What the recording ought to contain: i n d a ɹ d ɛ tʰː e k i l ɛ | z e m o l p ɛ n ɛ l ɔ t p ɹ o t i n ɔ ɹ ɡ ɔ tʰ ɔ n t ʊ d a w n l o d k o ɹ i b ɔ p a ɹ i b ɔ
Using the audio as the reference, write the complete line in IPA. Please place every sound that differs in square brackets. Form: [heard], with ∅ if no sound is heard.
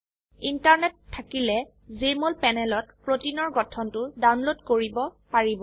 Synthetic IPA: i n [t] a ɹ [n] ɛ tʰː [a] k i l ɛ | z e m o l p ɛ n ɛ l ɔ t p ɹ o t i n ɔ ɹ ɡ ɔ tʰ ɔ n t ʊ d a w n l o d k o ɹ i b ɔ p a ɹ i b ɔ